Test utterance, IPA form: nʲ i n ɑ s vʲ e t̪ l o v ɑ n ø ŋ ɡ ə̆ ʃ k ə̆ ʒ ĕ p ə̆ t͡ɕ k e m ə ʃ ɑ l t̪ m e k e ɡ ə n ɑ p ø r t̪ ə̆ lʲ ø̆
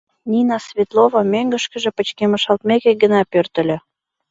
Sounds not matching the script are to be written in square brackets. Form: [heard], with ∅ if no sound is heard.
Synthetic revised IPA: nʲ i n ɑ s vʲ e t̪ l o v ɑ [m] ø ŋ ɡ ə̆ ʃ k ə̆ ʒ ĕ p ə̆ t͡ɕ k e m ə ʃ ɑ l t̪ m e k e ɡ ə n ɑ p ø r t̪ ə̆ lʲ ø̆

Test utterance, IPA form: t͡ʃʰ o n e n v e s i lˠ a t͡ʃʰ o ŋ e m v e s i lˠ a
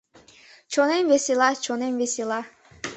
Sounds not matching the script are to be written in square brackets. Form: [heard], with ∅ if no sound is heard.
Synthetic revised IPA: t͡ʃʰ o n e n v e s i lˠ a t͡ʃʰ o [n] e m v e s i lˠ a

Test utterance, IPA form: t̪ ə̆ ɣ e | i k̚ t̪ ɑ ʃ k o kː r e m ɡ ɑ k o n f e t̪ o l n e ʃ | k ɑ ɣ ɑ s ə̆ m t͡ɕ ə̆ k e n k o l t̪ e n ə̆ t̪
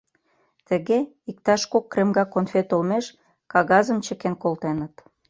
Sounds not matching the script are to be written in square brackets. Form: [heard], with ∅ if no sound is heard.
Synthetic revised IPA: t̪ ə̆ ɣ e | i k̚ t̪ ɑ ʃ k o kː r e m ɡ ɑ k o n f e t̪ o l [m] e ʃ | k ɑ ɣ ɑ [z] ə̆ m t͡ɕ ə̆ k e n k o l t̪ e n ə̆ t̪

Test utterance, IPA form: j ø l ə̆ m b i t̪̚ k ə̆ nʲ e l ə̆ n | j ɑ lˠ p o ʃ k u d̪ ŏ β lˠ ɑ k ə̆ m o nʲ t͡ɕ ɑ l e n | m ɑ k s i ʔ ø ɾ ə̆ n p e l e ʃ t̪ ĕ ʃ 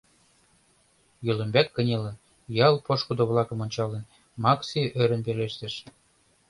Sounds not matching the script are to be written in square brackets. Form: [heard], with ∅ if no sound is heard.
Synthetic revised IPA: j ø l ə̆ m b [æ] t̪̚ k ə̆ nʲ e l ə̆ n | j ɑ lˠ p o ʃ k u d̪ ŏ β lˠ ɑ k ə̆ m o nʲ t͡ɕ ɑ l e n | m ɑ k s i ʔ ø ɾ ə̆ n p e l e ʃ t̪ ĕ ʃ

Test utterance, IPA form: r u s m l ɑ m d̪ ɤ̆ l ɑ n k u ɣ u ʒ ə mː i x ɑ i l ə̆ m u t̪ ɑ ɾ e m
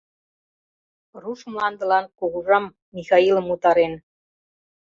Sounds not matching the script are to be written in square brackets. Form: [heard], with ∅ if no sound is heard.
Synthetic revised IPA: r u [ʃ] m l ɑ [n] d̪ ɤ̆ l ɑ n k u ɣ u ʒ [ɑ] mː i x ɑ i l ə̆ m u t̪ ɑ ɾ e [n]

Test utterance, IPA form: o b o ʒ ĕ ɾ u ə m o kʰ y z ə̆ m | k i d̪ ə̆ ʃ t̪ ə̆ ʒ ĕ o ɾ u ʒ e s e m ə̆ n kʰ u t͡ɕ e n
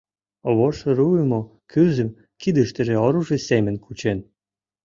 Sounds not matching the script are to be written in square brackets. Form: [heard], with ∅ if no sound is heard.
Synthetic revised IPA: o [β] o [ʃ] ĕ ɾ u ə m o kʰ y z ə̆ m | k i d̪ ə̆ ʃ t̪ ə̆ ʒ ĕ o ɾ u ʒ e s e m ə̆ n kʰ u t͡ɕ e n

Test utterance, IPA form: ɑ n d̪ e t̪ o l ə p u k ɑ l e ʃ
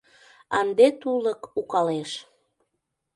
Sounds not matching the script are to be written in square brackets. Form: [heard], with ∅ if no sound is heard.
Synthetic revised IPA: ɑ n d̪ e t̪ [u] l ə [k] u k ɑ l e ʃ

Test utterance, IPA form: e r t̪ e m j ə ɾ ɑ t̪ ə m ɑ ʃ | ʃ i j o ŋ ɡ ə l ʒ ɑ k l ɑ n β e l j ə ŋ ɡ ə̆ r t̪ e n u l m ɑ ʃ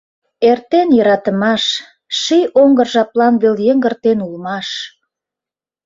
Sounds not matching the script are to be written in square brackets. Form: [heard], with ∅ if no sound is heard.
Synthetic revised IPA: e r t̪ e [n] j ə ɾ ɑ t̪ ə m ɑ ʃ | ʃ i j o ŋ ɡ ə [r] ʒ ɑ [p] l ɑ n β e l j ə ŋ ɡ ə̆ r t̪ e n u l m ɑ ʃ

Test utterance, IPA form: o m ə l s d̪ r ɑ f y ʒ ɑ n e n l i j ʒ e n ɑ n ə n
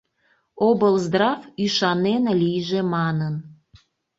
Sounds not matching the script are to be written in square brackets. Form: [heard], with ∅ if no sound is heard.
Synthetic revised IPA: o [b] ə l [z] d̪ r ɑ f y [ʃ] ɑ n e n l i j ʒ e [m] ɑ n ə n

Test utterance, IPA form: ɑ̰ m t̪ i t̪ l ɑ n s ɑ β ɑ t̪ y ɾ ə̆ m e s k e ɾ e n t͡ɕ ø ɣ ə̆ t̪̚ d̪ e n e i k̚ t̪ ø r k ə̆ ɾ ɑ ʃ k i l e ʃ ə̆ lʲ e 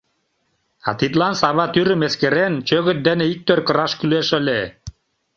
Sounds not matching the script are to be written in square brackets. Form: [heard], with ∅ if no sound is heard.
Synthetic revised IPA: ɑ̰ [∅] t̪ i t̪ l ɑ n s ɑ β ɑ t̪ y ɾ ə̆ m e s k e ɾ e n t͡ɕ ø ɣ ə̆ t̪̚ d̪ e n e i k̚ t̪ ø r k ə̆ ɾ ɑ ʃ k [y] l e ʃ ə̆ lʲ e

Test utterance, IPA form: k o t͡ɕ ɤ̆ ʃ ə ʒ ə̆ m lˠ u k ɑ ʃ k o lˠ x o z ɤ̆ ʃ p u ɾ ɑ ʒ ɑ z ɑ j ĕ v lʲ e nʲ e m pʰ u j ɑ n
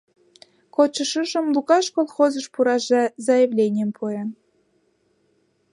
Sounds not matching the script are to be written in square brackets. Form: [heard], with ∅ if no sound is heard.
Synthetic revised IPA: k o t͡ɕ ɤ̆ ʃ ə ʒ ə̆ m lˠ u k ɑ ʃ k o lˠ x o z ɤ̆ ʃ p u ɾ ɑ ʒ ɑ z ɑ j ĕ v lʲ e nʲ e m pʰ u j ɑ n

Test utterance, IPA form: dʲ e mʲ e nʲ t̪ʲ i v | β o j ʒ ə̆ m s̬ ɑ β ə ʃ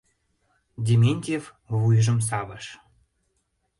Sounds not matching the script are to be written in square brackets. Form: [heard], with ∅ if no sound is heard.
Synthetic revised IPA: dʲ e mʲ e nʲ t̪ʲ [e] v | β [u] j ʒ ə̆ m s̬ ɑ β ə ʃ

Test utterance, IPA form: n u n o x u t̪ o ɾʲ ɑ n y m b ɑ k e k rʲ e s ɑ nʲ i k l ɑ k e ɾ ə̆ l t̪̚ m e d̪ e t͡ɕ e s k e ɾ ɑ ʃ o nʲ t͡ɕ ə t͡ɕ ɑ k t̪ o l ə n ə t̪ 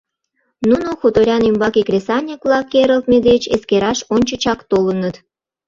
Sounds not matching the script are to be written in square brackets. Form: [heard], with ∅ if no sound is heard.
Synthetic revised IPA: n u n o x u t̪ o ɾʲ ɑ n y m b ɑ k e k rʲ e s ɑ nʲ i k l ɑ k e ɾ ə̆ l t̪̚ m e d̪ e t͡ɕ e s k e ɾ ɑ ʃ o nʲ t͡ɕ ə t͡ɕ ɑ k t̪ o l ə n ə t̪

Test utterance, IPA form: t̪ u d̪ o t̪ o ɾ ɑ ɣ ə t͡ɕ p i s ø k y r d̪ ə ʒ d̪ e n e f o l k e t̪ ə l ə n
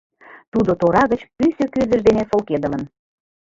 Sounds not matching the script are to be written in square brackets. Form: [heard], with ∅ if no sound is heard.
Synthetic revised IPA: t̪ u d̪ o t̪ o ɾ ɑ ɣ ə t͡ɕ p [y] s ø k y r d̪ ə ʒ d̪ e n e f o l k e [d̪] ə l ə n

